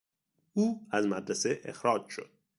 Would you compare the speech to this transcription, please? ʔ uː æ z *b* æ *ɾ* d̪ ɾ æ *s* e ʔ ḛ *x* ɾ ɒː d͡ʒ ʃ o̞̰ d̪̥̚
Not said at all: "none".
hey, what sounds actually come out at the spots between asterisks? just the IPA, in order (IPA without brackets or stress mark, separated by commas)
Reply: m, none, s, x